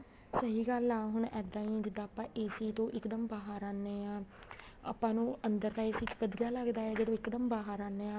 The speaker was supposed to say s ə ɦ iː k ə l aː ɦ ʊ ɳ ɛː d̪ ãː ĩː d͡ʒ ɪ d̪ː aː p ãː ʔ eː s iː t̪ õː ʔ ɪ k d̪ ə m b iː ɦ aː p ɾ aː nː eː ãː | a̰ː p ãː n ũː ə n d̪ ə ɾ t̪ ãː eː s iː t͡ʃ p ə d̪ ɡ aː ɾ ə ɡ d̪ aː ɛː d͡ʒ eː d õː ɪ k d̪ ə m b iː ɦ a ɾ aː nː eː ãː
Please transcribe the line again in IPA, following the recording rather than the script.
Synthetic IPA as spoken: s ə ɦ iː ɡ ə l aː ɦ ʊ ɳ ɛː d̪ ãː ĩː d͡ʒ ɪ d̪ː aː p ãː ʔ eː s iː t̪ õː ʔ ɪ k d̪ ə m b aː ɦ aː ɾ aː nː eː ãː | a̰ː p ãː n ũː ə n d̪ ə ɾ t̪ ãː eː s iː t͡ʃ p ə d̪ ɡ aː l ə ɡ d̪ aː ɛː d͡ʒ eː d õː ɪ k d̪ ə m b aː ɦ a ɾ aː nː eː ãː